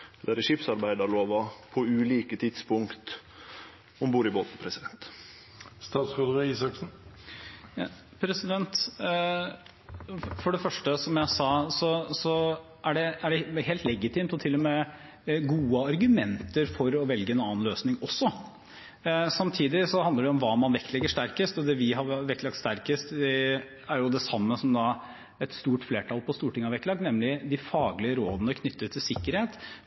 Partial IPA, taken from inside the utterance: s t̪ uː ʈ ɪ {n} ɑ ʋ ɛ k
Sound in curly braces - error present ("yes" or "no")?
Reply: yes